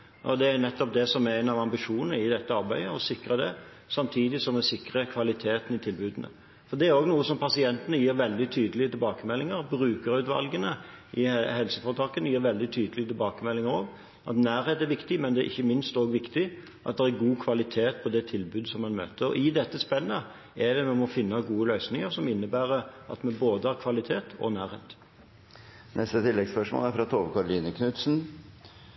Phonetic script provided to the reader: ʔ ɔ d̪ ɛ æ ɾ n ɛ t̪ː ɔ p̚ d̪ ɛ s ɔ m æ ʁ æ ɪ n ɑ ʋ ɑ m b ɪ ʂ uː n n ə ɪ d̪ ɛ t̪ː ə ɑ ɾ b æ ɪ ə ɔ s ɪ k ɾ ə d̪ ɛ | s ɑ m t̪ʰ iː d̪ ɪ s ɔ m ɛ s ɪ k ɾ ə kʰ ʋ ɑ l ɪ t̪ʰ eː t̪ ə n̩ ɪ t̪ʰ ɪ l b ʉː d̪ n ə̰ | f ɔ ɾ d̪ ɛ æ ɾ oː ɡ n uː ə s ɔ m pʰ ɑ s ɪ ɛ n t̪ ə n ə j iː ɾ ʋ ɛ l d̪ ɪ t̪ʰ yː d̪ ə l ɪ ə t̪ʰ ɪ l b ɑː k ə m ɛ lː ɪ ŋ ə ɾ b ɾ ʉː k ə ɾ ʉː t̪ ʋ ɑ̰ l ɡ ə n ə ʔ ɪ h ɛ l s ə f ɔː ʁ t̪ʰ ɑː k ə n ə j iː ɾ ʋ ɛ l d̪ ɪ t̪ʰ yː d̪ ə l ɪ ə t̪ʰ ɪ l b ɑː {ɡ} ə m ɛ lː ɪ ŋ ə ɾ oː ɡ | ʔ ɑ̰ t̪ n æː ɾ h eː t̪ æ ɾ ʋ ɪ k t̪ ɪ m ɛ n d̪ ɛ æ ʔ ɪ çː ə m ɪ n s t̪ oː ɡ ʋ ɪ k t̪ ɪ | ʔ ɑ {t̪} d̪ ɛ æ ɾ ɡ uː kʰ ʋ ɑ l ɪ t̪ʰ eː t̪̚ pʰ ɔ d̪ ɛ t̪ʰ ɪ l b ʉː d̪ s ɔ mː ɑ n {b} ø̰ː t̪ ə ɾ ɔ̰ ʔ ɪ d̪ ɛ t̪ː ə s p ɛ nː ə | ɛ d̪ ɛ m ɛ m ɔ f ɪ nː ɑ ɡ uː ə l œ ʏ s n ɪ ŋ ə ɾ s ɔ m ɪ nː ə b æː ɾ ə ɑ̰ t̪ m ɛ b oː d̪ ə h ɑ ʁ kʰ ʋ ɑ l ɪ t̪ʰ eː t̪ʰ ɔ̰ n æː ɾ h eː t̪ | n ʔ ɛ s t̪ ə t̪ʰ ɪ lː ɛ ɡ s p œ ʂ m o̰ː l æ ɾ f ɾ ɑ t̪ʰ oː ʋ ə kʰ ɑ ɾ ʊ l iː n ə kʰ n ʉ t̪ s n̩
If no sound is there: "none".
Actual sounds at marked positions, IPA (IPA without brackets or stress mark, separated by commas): k, t̪, m